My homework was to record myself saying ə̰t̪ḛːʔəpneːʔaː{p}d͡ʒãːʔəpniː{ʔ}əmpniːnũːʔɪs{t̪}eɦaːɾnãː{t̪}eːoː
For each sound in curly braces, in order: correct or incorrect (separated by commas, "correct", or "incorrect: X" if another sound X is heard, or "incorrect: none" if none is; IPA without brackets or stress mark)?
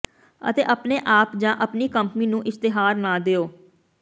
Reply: correct, incorrect: k, correct, incorrect: d̪